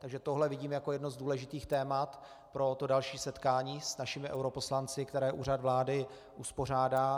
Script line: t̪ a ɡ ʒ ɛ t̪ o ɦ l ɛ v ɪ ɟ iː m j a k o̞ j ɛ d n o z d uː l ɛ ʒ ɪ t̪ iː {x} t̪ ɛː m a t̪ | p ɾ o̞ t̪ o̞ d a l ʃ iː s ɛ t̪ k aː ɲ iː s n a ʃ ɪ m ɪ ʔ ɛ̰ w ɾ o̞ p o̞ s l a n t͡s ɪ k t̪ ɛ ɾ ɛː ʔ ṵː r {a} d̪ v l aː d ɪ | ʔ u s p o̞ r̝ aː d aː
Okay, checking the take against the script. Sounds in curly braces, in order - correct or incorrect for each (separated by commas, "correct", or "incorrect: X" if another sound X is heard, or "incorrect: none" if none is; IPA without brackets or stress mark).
correct, correct